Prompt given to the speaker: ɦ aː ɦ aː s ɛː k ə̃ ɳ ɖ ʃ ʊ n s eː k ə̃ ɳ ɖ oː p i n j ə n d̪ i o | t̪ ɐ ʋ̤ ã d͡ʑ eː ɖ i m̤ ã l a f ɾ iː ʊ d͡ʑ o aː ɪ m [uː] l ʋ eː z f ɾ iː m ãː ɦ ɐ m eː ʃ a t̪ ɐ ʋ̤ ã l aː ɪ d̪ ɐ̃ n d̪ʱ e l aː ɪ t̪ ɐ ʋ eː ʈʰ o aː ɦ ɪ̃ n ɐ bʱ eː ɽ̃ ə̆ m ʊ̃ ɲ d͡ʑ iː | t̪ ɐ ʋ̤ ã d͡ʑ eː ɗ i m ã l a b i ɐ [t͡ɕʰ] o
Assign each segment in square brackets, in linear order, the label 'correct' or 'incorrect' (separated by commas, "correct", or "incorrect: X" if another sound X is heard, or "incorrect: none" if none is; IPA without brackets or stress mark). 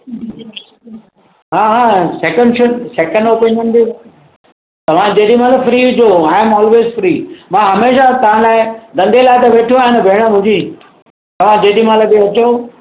incorrect: ɔː, incorrect: t͡ɕ